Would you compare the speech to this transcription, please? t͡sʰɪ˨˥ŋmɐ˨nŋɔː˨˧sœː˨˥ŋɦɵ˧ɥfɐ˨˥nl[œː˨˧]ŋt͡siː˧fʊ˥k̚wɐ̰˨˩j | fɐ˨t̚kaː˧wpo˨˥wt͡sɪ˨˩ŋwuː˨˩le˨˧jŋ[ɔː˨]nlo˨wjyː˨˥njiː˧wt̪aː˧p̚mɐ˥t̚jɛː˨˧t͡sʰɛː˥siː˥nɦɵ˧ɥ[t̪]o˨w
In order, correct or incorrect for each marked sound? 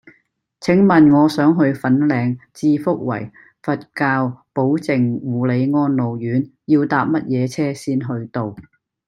incorrect: ɛː˨˧, incorrect: ɔː˥, correct

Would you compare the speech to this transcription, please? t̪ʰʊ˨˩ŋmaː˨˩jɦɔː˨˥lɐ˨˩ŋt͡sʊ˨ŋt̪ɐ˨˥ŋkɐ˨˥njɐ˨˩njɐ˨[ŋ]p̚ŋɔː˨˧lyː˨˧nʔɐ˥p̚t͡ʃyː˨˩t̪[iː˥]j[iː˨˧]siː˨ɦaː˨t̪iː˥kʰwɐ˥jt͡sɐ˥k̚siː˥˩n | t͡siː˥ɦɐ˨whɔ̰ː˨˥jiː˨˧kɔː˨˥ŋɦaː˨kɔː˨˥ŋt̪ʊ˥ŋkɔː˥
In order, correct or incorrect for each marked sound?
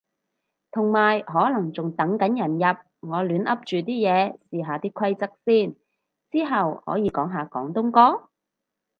incorrect: none, correct, incorrect: ɛː˨˧

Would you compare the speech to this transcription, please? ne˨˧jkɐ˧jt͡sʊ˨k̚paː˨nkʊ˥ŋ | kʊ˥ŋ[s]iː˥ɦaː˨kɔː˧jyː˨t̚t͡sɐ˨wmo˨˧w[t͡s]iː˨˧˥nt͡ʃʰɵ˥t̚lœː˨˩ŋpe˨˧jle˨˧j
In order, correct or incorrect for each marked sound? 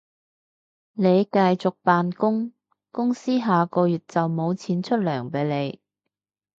correct, incorrect: t͡sʰ

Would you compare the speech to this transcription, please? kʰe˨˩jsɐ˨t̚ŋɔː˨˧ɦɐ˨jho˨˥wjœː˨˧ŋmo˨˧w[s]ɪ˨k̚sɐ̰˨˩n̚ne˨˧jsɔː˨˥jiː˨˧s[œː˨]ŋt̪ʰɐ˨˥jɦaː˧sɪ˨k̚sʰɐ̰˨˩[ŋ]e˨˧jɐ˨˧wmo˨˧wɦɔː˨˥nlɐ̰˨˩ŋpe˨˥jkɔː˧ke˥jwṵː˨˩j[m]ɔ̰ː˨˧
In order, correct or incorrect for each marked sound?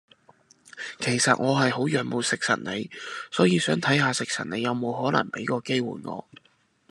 correct, incorrect: œː˨˥, incorrect: n, incorrect: ŋ

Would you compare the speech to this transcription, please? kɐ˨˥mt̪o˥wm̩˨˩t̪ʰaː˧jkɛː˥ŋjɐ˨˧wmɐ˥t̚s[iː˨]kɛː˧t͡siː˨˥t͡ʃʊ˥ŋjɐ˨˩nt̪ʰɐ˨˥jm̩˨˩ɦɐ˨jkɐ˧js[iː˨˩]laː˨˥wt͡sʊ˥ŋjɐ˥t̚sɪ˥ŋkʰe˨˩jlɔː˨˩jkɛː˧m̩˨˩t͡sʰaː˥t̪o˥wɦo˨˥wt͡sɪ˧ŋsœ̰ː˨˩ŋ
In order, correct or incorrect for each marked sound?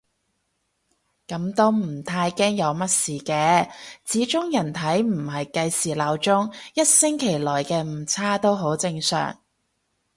correct, correct

